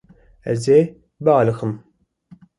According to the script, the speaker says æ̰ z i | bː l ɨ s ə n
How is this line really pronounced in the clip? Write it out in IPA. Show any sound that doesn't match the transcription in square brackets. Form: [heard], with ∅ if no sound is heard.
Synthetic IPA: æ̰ z [e] | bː l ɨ [x] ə [m]